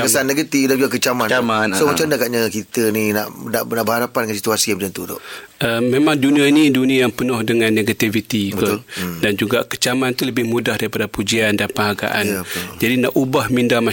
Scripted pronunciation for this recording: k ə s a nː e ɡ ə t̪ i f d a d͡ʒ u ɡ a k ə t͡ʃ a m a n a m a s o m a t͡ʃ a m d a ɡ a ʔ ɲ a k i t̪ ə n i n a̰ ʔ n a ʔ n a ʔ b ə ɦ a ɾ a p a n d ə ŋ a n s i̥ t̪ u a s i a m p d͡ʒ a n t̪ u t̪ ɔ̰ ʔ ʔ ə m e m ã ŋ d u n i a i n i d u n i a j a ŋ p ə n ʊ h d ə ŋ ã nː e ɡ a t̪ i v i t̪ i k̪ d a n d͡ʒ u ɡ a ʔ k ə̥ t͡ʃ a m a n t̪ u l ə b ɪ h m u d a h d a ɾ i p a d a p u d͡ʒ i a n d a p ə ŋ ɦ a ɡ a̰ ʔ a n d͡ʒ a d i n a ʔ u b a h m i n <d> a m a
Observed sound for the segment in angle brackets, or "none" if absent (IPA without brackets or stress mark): d